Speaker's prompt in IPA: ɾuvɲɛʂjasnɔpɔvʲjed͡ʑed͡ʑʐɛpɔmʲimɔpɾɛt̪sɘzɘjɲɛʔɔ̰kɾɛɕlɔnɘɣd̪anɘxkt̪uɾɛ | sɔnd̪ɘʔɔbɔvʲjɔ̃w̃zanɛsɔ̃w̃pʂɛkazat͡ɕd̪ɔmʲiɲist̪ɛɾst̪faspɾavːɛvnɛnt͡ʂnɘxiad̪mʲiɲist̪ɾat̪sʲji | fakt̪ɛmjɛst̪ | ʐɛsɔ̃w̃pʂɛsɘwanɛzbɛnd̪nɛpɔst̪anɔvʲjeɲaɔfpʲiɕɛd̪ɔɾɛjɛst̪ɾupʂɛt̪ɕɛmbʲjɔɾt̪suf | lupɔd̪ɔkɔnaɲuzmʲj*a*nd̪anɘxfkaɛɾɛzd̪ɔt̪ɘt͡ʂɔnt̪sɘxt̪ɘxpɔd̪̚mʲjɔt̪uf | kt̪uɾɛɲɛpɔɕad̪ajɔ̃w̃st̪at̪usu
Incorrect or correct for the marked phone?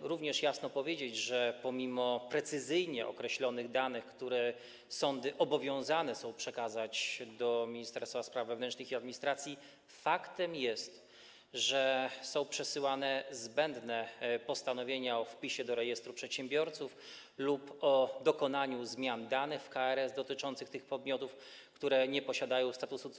correct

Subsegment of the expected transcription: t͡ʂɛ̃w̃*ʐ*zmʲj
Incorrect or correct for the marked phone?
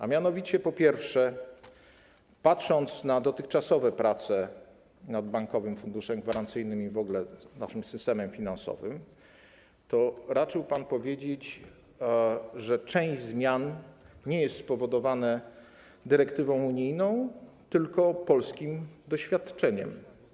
incorrect: ʑ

